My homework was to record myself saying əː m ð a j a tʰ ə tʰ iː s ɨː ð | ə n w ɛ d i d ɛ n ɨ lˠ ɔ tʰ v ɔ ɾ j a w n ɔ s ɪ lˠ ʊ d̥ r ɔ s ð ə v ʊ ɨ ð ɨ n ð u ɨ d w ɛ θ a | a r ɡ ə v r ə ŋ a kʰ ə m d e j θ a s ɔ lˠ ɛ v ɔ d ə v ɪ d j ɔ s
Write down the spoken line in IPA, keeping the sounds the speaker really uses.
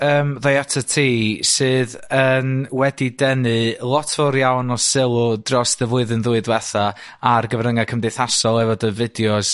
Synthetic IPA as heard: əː m ð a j a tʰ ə tʰ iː s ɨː ð | ə n w ɛ d i d ɛ n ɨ lˠ ɔ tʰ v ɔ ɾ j a w n ɔ s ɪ lˠ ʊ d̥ r ɔ s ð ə v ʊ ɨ ð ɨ n ð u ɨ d w ɛ θ a | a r ɡ ə v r ə ŋ a kʰ ə m d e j θ a s ɔ lˠ ɛ v ɔ d ə v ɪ d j ɔ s